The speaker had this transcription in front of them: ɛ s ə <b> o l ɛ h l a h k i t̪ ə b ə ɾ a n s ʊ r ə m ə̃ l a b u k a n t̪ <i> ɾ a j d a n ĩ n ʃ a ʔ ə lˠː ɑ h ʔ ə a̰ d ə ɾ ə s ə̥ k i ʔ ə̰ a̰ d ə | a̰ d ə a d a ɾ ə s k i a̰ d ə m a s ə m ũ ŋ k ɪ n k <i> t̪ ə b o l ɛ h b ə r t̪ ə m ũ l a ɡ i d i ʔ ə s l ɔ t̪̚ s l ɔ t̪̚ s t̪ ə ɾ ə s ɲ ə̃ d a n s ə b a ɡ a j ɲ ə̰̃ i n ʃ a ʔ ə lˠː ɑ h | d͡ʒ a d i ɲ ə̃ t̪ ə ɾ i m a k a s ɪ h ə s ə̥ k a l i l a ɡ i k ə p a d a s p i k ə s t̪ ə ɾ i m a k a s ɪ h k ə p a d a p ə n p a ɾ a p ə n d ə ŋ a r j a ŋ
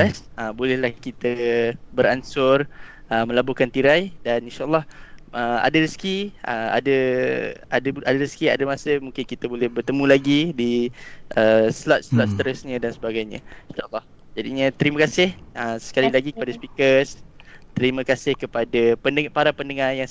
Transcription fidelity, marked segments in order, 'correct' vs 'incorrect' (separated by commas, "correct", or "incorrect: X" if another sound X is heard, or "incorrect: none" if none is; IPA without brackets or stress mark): correct, correct, correct